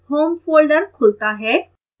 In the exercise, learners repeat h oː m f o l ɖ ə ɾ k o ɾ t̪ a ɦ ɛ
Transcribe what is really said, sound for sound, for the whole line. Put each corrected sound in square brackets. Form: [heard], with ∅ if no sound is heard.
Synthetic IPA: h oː m f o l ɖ ə ɾ [kʰ] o [l] t̪ a ɦ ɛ